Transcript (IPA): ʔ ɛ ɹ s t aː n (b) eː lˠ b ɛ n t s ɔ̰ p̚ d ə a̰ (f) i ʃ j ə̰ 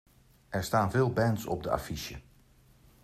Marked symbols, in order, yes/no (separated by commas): no, yes